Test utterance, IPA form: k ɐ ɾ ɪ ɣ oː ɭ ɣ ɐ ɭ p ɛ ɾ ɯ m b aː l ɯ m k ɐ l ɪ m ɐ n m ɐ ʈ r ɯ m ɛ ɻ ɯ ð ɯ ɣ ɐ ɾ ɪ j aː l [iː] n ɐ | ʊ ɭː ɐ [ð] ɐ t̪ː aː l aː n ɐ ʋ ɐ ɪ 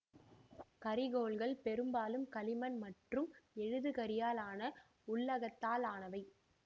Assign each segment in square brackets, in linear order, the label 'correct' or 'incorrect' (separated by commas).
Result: incorrect, incorrect